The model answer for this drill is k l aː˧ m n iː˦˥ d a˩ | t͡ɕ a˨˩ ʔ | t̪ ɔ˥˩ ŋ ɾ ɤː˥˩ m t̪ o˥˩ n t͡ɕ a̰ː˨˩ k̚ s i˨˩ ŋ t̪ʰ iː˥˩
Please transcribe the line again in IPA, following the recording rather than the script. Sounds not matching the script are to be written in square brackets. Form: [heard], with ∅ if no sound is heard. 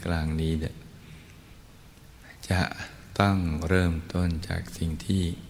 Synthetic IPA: k l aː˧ [ŋ] n iː˦˥ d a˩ | t͡ɕ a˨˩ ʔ | t̪ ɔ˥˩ ŋ ɾ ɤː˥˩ m t̪ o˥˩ n t͡ɕ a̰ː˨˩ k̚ s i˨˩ ŋ t̪ʰ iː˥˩